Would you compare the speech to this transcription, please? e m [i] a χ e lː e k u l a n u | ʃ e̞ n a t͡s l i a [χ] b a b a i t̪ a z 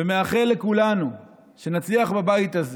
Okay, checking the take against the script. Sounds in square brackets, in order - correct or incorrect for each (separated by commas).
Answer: incorrect, correct